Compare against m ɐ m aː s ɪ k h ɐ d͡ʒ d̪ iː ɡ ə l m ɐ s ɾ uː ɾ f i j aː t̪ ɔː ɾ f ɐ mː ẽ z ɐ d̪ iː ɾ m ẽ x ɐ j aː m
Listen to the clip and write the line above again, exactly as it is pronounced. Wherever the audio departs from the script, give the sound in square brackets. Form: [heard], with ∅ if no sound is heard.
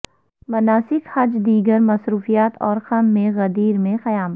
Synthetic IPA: m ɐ [n] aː s ɪ k h ɐ d͡ʒ d̪ iː ɡ ə [ɾ] m ɐ s ɾ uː [∅] f i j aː t̪ ɔː ɾ [x] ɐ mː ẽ [ɣ] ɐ d̪ iː ɾ m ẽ x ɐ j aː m